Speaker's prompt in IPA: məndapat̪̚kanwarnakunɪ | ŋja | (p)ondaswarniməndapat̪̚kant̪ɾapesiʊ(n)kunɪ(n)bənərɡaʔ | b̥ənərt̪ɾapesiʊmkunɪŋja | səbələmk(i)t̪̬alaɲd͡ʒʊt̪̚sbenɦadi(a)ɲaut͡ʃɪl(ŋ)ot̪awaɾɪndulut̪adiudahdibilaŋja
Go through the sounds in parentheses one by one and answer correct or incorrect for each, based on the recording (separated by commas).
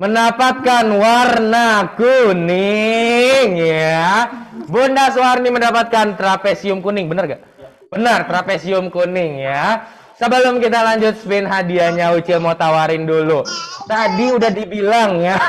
incorrect, incorrect, incorrect, correct, correct, incorrect